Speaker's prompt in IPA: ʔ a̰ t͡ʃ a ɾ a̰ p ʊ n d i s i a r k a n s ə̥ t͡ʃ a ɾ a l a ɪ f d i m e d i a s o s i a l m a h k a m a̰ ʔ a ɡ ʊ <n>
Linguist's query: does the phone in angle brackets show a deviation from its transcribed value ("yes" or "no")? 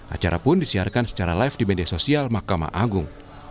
yes